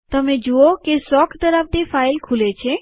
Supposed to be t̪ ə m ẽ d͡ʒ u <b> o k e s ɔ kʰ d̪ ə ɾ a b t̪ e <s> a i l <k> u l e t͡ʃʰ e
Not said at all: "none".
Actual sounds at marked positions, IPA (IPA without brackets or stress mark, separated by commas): none, f, kʰ